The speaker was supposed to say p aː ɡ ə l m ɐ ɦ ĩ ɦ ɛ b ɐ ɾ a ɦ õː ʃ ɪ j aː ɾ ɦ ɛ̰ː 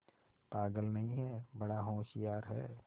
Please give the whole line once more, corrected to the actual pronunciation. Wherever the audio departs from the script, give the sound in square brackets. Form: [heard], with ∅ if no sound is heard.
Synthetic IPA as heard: p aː ɡ ə l [n] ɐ ɦ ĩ ɦ ɛ b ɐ [ɽ] a ɦ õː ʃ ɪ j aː ɾ ɦ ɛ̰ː